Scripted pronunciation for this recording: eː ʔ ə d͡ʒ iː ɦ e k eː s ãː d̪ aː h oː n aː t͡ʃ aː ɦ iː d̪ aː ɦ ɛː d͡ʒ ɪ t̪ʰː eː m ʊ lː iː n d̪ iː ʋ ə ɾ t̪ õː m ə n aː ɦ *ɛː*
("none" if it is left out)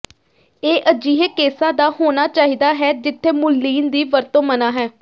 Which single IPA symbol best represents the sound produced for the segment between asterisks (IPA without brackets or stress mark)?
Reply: ɛː